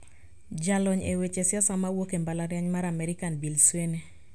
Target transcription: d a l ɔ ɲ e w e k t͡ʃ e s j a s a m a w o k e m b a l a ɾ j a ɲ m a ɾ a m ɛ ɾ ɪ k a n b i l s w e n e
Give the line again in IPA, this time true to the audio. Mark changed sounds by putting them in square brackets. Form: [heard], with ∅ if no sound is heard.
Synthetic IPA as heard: [d͡ʒ] a l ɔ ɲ e w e [∅] t͡ʃ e s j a s a m a w o k e m b a l a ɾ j a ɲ m a ɾ a m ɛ ɾ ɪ k a n b i l s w e n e